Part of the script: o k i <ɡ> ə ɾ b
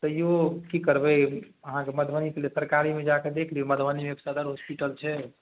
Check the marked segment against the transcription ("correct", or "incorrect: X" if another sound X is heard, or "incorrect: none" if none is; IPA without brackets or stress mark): incorrect: k